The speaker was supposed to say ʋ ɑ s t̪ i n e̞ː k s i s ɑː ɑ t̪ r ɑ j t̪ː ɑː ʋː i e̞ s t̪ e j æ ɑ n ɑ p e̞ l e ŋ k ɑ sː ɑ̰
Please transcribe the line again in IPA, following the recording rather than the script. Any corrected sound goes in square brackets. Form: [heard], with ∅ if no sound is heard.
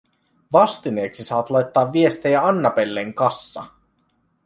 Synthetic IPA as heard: ʋ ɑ s t̪ i n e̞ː k s i s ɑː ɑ t̪ [l] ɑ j t̪ː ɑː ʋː i e̞ s t̪ e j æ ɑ [nː] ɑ p e̞ [lː] e ŋ k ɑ sː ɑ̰